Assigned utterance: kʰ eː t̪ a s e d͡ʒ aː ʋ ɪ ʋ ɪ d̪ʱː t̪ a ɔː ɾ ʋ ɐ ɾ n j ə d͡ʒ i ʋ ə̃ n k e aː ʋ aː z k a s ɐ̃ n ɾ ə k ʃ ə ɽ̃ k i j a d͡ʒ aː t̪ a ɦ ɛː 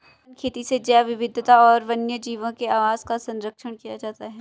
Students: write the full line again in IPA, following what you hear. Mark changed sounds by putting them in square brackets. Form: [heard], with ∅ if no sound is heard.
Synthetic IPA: kʰ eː t̪ [i] s e d͡ʒ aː ʋ ɪ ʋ ɪ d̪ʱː t̪ a ɔː ɾ ʋ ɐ [∅] n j ə d͡ʒ [iː] ʋ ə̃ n k e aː ʋ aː z k a s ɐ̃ n ɾ ə k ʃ ə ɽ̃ k i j a d͡ʒ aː t̪ a ɦ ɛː